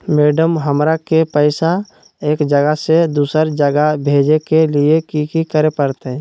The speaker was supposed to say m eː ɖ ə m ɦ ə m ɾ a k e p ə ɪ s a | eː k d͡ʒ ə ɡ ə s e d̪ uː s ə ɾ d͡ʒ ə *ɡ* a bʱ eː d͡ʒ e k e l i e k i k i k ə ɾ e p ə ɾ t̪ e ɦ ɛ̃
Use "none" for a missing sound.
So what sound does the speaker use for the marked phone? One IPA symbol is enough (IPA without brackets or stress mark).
ɡ